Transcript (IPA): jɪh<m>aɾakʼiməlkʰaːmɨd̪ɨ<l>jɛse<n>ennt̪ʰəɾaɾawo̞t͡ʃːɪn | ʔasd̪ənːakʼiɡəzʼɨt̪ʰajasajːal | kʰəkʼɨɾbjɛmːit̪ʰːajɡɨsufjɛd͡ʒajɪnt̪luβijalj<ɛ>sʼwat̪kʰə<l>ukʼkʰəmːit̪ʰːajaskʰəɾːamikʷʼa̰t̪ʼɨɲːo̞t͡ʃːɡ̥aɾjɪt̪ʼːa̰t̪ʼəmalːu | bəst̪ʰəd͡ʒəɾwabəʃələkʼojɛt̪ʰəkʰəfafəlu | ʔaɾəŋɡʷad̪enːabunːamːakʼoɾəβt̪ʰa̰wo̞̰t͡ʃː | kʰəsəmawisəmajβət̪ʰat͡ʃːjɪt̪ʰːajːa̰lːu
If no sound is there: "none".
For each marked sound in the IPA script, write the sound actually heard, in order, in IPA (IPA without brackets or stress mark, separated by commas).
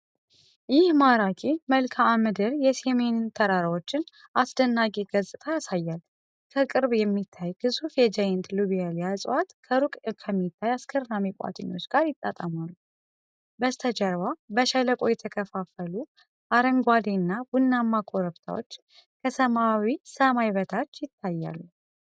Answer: m, ɾ, m, a, ɾ